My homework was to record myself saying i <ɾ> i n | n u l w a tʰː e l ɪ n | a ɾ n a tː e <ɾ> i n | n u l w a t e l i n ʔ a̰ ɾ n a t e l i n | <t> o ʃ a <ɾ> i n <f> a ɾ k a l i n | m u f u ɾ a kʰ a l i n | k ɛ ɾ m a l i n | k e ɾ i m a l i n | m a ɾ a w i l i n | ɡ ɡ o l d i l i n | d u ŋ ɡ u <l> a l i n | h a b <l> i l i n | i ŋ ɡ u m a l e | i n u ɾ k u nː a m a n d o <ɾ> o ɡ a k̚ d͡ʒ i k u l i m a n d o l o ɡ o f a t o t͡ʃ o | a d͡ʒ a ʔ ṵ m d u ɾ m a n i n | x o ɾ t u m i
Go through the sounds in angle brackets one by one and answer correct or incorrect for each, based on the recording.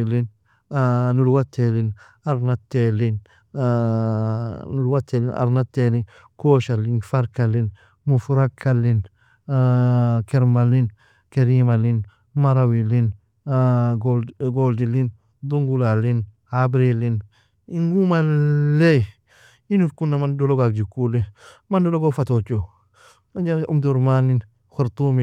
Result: incorrect: l, incorrect: l, incorrect: k, incorrect: l, correct, correct, incorrect: ɾ, incorrect: l

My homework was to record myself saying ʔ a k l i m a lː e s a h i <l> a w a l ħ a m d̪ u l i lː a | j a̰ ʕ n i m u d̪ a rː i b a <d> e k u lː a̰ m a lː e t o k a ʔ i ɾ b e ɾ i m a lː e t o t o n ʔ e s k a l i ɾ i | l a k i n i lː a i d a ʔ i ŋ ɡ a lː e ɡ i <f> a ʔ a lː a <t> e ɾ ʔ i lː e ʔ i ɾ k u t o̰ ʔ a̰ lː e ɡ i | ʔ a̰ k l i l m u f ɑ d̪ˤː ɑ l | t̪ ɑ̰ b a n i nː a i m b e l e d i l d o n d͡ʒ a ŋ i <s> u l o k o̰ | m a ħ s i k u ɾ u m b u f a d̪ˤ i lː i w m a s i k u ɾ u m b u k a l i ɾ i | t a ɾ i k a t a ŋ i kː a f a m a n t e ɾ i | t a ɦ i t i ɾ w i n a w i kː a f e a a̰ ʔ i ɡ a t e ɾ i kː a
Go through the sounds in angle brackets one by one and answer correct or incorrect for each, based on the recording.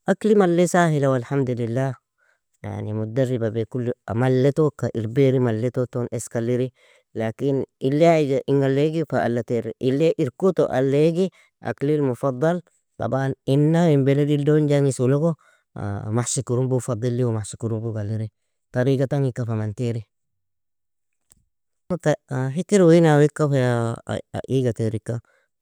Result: correct, incorrect: b, correct, correct, correct

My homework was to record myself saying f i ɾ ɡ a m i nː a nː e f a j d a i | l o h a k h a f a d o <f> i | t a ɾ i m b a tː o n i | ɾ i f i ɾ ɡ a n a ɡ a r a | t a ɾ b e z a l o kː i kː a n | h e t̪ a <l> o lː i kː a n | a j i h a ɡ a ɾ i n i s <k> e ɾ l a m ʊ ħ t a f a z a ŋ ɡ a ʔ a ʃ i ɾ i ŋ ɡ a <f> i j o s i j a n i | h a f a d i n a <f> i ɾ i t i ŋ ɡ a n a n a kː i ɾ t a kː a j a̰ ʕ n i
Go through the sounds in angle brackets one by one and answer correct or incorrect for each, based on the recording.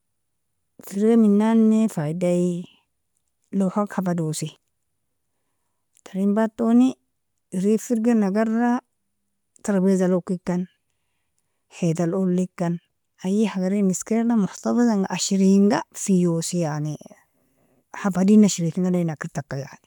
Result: incorrect: s, correct, correct, correct, incorrect: ʃ

